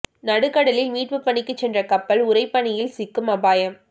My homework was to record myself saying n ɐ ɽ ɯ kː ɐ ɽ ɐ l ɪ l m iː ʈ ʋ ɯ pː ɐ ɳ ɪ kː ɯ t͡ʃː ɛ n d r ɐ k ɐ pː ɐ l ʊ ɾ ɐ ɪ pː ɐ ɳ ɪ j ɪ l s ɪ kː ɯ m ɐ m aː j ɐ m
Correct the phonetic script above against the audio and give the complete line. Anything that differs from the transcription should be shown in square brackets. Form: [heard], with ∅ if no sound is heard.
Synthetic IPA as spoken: n ɐ ɽ ɯ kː ɐ ɽ ɐ l ɪ l m iː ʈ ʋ ɯ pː ɐ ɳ ɪ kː ɯ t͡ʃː ɛ n d r ɐ k ɐ pː ɐ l ʊ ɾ ɐ ɪ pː ɐ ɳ ɪ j ɪ l s ɪ kː ɯ m ɐ [b] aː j ɐ m